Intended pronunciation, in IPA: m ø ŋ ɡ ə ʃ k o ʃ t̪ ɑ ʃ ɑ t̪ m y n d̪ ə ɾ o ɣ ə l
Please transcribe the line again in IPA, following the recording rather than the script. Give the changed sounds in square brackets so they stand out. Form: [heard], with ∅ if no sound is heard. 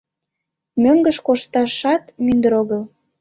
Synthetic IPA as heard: m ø ŋ ɡ ə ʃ k o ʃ t̪ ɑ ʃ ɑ t̪ m y n d̪ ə ɾ o ɣ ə l